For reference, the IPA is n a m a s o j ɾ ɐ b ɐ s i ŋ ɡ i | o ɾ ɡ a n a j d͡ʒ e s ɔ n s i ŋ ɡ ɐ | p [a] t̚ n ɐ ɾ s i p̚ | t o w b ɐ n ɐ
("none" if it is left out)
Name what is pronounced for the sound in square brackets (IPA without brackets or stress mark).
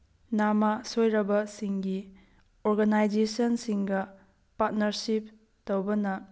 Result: a